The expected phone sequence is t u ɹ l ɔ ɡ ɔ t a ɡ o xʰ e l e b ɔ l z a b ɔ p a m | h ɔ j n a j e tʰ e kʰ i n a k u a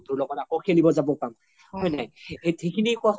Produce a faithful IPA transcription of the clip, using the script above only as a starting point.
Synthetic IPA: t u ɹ l ɔ ɡ ɔ t a k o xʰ e l i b ɔ z a b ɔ p a m | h ɔ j n a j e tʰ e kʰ i n i k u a